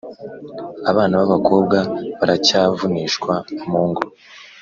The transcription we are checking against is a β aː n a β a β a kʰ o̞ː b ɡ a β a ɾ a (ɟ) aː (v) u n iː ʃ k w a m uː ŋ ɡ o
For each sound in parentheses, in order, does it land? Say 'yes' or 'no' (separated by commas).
no, yes